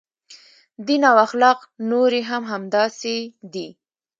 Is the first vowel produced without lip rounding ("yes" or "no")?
yes